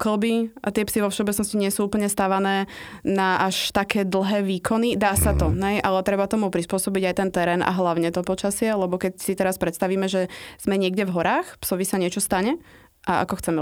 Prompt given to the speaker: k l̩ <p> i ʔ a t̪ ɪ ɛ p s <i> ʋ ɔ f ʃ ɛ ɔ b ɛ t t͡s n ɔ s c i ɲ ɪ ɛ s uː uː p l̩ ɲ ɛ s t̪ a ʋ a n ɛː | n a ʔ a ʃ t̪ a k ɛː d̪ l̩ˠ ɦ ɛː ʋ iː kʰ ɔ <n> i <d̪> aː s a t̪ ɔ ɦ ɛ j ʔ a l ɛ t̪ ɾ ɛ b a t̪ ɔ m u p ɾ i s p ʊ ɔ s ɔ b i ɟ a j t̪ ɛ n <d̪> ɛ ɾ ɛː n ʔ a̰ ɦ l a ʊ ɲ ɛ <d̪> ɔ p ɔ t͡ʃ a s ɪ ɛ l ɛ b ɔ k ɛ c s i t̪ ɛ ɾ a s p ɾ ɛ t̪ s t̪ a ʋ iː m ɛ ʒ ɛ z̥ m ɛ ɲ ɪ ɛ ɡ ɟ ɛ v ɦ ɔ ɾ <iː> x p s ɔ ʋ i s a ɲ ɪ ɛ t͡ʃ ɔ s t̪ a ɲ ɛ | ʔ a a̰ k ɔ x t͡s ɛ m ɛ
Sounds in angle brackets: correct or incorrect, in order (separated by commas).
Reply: incorrect, correct, correct, correct, incorrect, incorrect, incorrect